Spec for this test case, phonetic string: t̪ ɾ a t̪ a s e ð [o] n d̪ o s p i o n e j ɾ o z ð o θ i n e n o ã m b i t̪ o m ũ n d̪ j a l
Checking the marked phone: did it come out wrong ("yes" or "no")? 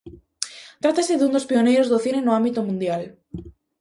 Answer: yes